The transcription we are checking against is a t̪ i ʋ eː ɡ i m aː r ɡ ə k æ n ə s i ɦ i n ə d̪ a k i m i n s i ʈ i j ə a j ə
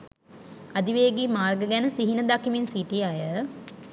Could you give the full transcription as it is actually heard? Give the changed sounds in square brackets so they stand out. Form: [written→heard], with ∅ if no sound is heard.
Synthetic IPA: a [t̪→d̪] i ʋ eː ɡ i m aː r ɡ ə [k→ɡ] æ n ə s i ɦ i n ə d̪ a k i m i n s i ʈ i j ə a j ə